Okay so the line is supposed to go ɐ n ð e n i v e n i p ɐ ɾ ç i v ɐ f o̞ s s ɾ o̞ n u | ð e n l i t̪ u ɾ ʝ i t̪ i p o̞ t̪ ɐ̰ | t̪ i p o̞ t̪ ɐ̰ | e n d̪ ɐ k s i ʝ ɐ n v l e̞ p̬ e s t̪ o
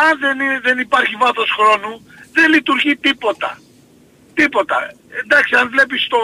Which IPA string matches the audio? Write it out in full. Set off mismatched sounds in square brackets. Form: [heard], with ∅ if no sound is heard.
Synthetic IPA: ɐ n ð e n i [ð] e n i p ɐ ɾ ç i v ɐ [θ] o̞ s [x] ɾ o̞ n u | ð e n l i t̪ u ɾ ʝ i t̪ i p o̞ t̪ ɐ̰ | t̪ i p o̞ t̪ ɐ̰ | e n d̪ ɐ k s i [∅] ɐ n v l e̞ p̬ [i] s t̪ o